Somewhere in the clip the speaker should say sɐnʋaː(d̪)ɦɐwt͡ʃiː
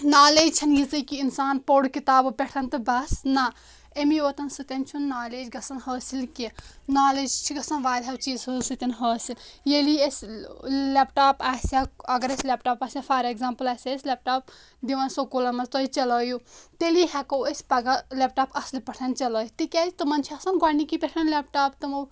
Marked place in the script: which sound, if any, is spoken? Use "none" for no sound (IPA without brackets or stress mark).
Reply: d̪